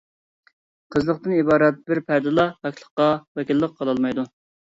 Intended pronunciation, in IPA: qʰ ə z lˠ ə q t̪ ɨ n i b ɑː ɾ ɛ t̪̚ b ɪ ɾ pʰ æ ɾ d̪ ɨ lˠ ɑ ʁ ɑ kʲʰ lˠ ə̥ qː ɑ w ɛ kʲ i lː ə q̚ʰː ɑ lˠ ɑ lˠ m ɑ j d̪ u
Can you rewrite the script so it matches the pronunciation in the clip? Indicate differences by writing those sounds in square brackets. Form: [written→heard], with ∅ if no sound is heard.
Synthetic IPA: qʰ ə z lˠ ə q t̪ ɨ n i b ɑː ɾ ɛ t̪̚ b ɪ ɾ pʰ æ ɾ d̪ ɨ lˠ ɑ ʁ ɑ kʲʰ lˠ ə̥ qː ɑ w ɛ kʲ i lː ə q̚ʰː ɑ lˠ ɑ lˠ m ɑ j d̪ u